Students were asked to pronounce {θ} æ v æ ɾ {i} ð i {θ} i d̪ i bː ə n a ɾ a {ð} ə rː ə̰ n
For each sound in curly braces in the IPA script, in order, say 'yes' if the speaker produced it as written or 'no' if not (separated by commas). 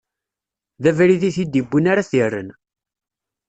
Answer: no, yes, yes, no